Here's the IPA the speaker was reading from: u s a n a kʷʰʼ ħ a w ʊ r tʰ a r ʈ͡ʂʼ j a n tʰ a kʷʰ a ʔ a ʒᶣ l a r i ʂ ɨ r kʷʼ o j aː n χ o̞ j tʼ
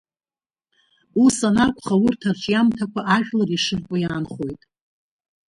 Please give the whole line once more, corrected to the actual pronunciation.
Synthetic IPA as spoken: u s a n a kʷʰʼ χ a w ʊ r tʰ a r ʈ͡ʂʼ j a m tʰ a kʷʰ a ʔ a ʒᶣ l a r i ʂ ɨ r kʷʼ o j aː n χ o̞ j tʼ